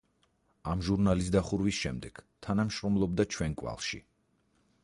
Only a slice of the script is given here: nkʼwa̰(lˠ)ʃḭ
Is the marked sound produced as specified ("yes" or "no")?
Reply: yes